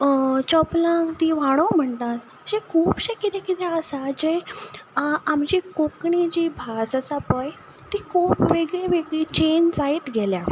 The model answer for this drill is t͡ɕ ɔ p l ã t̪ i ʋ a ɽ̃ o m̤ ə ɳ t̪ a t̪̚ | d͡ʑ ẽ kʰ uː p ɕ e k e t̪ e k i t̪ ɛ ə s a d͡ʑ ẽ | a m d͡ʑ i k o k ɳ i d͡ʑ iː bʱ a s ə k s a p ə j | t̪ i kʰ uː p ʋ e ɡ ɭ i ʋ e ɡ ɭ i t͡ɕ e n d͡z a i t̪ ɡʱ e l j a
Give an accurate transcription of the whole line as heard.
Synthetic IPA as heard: t͡ɕ ɔ p l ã t̪ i ʋ a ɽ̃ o m̤ ə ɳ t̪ a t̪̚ | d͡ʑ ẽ kʰ uː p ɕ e k i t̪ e k i t̪ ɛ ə s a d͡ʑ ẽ | a m d͡ʑ i k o k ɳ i d͡ʑ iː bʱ a s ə s a p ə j | t̪ i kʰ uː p ʋ e ɡ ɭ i ʋ e ɡ ɭ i t͡ɕ e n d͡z a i t̪ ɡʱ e l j a